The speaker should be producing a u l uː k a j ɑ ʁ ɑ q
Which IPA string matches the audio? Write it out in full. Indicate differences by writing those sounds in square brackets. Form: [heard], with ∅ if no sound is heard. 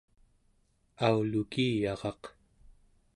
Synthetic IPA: a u l [u] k [i] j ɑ ʁ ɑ q